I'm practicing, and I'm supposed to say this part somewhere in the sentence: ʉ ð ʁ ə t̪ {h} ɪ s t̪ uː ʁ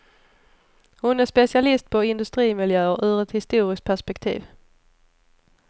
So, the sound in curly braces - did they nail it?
yes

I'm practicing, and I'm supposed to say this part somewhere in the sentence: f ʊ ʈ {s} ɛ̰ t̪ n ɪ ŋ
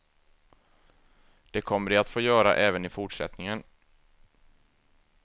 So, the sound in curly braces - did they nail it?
no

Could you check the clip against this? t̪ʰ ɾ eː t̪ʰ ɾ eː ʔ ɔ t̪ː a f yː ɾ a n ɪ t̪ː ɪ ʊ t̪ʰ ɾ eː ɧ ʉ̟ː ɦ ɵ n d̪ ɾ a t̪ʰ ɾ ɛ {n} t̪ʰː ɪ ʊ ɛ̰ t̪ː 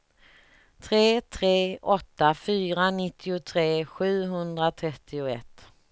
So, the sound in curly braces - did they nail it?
no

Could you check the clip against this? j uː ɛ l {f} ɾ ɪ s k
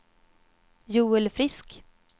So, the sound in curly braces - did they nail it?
yes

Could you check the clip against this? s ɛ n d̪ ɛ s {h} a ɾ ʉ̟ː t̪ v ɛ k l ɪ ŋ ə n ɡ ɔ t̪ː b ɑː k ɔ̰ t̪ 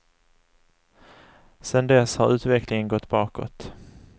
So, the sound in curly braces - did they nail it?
yes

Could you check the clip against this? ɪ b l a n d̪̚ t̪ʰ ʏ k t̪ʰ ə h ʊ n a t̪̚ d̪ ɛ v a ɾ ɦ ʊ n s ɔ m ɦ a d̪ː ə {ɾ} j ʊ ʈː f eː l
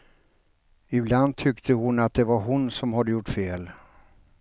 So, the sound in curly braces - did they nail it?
no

